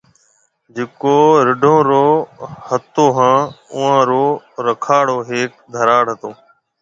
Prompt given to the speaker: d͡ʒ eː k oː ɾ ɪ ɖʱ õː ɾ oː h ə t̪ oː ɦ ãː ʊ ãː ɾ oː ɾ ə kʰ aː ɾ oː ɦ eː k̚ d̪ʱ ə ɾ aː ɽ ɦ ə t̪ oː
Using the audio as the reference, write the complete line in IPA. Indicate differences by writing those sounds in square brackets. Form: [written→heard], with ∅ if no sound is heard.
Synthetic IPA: d͡ʒ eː k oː ɾ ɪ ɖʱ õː ɾ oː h ə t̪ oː ɦ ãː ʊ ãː ɾ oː ɾ ə kʰ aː [ɾ→ɽ] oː ɦ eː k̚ d̪ʱ ə ɾ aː ɽ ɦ ə t̪ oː

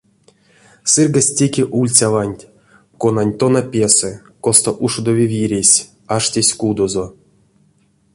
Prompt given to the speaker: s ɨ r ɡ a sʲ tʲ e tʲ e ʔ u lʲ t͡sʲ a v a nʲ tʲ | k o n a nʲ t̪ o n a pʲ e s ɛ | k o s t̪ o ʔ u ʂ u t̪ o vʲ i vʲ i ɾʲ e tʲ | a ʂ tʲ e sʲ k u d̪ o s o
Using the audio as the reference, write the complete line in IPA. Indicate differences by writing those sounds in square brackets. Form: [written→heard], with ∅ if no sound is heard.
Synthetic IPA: s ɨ r ɡ a sʲ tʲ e [tʲ→kʲ] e ʔ u lʲ t͡sʲ a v a nʲ tʲ | k o n a nʲ t̪ o n a pʲ e s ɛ | k o s t̪ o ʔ u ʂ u [t̪→d̪] o vʲ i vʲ i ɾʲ e [tʲ→sʲ] | a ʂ tʲ e sʲ k u d̪ o [s→z] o

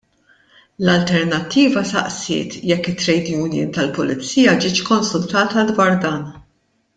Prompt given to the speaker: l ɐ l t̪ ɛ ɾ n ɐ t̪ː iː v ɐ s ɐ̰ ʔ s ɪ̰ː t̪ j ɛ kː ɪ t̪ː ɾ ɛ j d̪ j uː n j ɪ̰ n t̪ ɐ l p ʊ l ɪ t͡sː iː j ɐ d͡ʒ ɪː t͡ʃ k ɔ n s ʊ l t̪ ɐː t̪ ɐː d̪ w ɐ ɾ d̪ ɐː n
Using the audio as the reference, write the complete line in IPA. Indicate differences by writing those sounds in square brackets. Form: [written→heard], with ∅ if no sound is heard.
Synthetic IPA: l ɐ l t̪ ɛ ɾ n ɐ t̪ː iː v ɐ s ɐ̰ ʔ s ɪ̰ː t̪ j ɛ kː ɪ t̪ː ɾ ɛ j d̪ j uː n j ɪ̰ n t̪ ɐ l p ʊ l ɪ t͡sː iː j ɐ d͡ʒ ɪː t͡ʃ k ɔ n s ʊ l t̪ ɐː t̪ [ɐː→ɐ] d̪ w ɐ ɾ d̪ ɐː n

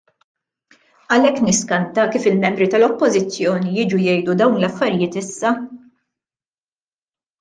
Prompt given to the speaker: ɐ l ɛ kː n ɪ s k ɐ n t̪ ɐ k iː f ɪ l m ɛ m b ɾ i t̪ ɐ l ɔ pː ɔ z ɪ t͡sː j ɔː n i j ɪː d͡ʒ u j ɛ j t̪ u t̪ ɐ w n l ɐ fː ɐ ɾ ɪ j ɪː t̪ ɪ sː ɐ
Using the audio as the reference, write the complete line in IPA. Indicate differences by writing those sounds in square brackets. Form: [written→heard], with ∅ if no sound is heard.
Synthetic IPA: ɐ l ɛ kː n ɪ s k ɐ n t̪ ɐ k iː f ɪ l m ɛ m b ɾ i t̪ ɐ l ɔ pː ɔ z ɪ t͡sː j ɔː n i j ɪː d͡ʒ u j ɛ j [t̪→d̪] u [t̪→d̪] ɐ w n l ɐ fː ɐ ɾ ɪ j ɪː t̪ ɪ sː ɐ

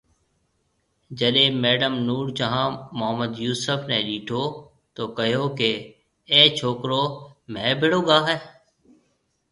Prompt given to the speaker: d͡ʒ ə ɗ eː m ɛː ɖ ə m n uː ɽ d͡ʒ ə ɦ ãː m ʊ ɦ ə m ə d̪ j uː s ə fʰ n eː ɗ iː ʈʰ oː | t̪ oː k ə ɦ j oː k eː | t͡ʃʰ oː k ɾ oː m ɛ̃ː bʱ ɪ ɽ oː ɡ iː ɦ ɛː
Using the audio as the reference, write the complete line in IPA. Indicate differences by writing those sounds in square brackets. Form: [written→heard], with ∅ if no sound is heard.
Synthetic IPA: d͡ʒ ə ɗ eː m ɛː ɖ ə m n uː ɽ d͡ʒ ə ɦ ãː m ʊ ɦ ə m ə d̪ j uː s ə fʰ n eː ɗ iː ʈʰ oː | t̪ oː k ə ɦ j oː k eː | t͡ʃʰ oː k ɾ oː m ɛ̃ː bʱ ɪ ɽ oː ɡ [iː→aː] ɦ ɛː

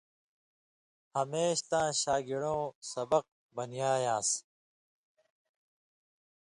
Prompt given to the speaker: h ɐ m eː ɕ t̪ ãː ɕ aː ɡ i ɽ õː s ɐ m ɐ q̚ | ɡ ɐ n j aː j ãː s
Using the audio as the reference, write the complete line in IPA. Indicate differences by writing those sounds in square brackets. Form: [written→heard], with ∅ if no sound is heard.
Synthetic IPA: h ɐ m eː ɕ t̪ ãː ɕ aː ɡ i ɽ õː s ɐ [m→b] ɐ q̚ | [ɡ→b] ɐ n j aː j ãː s

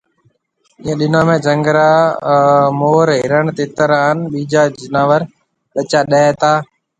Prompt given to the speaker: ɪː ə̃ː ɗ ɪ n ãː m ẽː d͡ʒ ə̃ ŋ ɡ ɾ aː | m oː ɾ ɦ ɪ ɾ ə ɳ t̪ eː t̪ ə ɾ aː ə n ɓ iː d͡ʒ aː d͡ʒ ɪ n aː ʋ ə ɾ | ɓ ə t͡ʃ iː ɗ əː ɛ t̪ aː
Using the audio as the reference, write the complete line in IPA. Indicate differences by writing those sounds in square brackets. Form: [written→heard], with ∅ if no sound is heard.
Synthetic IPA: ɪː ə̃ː ɗ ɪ n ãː m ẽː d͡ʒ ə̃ ŋ ɡ ɾ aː | m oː ɾ ɦ ɪ ɾ ə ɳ t̪ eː t̪ ə ɾ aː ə n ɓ iː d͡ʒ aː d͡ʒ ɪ n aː ʋ ə ɾ | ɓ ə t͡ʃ [iː→aː] ɗ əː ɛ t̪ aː

